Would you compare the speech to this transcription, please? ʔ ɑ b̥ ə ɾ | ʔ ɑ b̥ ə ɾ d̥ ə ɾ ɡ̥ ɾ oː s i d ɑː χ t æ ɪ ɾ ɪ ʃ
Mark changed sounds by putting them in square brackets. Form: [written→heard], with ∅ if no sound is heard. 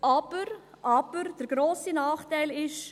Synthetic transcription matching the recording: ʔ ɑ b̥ ə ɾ | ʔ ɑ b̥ ə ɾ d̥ ə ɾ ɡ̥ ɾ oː s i [d→n] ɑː χ t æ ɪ [ɾ→l] ɪ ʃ